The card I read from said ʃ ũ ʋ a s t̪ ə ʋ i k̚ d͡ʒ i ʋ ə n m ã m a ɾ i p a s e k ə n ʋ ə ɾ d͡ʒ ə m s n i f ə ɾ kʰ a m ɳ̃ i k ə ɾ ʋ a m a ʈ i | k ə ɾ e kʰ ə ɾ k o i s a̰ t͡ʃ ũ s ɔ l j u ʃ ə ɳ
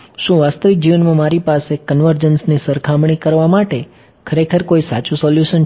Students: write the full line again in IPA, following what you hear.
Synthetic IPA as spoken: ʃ ũ ʋ a s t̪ ə ʋ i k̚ d͡ʒ i ʋ ə n m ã m a ɾ i p a s e k ə n ʋ ə ɾ d͡ʒ ə n s n i s ə ɾ kʰ a m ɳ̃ i k ə ɾ ʋ a m a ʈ e | kʰ ə ɾ e kʰ ə ɾ k o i s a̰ t͡ʃ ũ s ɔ l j u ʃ ə n